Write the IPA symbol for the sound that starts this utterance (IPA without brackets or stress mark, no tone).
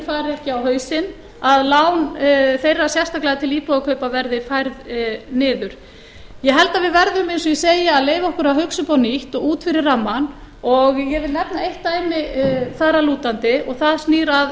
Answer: f